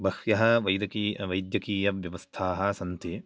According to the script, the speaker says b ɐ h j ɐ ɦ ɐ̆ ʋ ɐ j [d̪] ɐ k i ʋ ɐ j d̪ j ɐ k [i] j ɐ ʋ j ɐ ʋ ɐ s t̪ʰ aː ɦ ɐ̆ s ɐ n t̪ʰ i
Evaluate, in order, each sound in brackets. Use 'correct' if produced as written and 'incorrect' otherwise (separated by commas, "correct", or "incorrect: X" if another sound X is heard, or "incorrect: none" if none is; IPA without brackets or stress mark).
correct, incorrect: iː